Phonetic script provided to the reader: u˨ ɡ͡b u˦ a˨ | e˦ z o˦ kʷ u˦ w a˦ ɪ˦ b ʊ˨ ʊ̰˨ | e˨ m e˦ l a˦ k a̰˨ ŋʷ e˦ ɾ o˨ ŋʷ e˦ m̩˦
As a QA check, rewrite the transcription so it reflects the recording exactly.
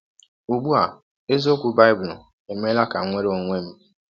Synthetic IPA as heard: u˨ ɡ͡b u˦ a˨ | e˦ z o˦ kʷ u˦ b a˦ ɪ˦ b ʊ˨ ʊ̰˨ | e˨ m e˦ l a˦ k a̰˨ ŋʷ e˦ ɾ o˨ ŋʷ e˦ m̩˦